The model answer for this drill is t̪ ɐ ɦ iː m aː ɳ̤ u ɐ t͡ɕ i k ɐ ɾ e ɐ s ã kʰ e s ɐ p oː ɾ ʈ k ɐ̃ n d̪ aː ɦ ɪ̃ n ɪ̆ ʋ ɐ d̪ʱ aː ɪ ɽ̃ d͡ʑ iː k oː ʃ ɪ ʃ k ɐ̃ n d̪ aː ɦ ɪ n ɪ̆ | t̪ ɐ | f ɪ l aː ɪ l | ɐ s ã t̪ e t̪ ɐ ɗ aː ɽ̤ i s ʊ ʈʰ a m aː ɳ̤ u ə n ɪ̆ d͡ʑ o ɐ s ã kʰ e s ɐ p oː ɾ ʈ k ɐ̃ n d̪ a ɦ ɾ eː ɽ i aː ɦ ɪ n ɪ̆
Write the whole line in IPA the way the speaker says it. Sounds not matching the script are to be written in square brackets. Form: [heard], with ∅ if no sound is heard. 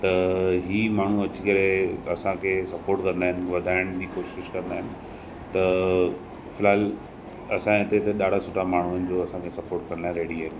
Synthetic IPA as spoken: t̪ ɐ ɦ iː m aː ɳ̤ u ɐ t͡ɕ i k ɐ ɾ e ɐ s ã kʰ e s ɐ p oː ɾ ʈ k ɐ̃ n d̪ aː ɦ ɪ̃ n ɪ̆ ʋ ɐ d̪ʱ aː ɪ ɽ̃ d͡ʑ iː k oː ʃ ɪ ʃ k ɐ̃ n d̪ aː ɦ ɪ n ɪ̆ | t̪ ɐ | f ɪ l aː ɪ l | ɐ s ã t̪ e t̪ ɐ ɗ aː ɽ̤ [a] s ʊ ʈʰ a m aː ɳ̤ u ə n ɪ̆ d͡ʑ o ɐ s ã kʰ e s ɐ p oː ɾ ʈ k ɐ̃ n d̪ a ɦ ɾ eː ɽ i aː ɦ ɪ n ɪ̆

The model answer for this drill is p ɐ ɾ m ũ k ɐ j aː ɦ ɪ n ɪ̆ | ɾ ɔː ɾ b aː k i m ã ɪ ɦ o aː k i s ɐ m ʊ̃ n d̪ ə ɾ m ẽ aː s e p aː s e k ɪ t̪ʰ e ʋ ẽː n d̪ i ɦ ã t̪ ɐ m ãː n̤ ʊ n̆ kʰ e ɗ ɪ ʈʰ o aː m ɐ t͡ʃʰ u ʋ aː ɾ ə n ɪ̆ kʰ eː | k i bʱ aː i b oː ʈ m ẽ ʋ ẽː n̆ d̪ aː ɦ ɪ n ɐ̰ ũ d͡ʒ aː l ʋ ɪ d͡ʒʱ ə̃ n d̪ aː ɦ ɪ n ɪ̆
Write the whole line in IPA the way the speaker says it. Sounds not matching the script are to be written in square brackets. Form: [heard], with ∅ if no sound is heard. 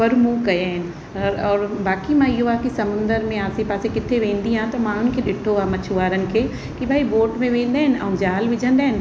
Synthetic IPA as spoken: p ɐ ɾ m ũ k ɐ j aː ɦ ɪ n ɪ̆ | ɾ ɔː ɾ b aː k i m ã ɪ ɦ o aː k i s ɐ m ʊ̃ n d̪ ə ɾ m ẽ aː s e p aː s e k ɪ t̪ʰ e ʋ ẽː n d̪ i ɦ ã t̪ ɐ m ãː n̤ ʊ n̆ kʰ e ɗ ɪ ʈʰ o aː m ɐ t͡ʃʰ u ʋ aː ɾ ə n ɪ̆ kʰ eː | k i bʱ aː i b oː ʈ m ẽ ʋ ẽː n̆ d̪ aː ɦ ɪ n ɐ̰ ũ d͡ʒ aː l ʋ ɪ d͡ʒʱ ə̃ n d̪ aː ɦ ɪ n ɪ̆

